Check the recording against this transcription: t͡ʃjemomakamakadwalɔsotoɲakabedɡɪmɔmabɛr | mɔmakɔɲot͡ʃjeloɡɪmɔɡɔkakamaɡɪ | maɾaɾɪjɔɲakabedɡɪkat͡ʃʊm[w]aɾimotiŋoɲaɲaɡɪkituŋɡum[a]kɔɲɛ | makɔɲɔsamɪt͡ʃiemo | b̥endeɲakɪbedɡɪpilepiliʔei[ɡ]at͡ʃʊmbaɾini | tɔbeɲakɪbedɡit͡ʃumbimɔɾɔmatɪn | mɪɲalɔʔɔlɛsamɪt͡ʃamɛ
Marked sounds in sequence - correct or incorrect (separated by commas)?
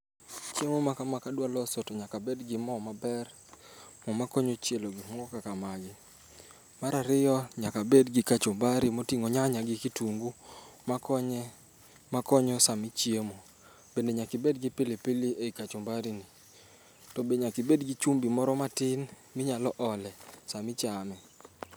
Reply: incorrect, correct, incorrect